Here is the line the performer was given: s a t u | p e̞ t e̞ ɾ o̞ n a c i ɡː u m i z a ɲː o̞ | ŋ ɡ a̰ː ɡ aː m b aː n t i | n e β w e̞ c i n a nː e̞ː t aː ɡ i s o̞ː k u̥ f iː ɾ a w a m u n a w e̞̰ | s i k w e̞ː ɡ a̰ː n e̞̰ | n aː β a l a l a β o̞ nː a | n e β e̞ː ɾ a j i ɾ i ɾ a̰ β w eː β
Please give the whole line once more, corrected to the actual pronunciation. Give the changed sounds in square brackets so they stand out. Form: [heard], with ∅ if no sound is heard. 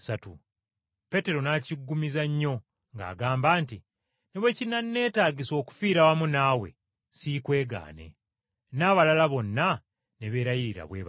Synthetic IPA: s a t u | p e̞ t e̞ ɾ o̞ n a c i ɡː u m i z a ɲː o̞ | ŋ ɡ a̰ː ɡ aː m b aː n t i | n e β w e̞ c i n a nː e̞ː t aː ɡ i s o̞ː k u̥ f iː ɾ a w a m u n a w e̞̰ | s i k w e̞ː ɡ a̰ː n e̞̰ | n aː β a l a l a β o̞ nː a | n e β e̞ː ɾ a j i ɾ i ɾ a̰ β w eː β